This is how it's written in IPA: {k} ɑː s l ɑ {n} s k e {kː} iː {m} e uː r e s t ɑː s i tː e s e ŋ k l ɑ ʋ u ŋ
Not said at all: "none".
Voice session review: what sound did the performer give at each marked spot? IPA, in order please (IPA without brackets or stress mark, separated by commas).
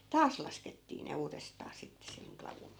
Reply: t, none, tː, n